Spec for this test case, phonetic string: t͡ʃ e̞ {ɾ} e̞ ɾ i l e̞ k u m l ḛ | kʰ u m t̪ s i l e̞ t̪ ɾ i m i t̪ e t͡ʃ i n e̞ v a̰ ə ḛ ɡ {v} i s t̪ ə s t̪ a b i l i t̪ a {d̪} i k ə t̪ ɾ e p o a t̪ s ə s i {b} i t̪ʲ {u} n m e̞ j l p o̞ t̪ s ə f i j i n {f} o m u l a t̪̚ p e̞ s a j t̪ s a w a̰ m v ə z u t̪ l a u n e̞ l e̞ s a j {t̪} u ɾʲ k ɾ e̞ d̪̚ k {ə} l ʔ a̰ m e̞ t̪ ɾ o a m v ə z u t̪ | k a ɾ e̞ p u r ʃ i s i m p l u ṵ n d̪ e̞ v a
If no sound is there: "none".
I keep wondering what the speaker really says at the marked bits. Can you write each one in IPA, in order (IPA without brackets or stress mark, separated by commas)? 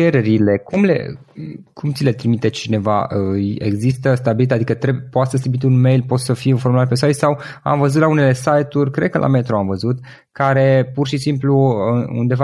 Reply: ɾ, z, d̪, b, u, f, t̪, ə